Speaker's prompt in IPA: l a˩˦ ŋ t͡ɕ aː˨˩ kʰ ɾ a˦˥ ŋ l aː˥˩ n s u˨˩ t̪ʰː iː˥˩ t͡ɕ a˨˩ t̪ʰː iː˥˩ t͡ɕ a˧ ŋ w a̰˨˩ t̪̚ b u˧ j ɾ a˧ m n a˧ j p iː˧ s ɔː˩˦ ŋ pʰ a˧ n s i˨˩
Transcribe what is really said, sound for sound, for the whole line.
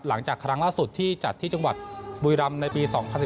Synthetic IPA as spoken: l a˩˦ ŋ t͡ɕ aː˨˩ kʰ ɾ a˦˥ ŋ l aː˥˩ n s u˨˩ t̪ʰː iː˥˩ t͡ɕ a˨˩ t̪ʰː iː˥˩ t͡ɕ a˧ ŋ w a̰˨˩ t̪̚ b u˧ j ɾ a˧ m n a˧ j p iː˧ s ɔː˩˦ ŋ pʰ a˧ n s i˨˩